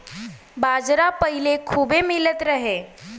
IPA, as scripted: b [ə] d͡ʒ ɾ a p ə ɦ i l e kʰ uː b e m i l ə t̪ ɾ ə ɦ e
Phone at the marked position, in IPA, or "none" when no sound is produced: a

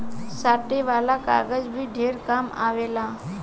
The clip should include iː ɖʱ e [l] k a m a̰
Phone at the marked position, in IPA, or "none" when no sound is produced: ɾ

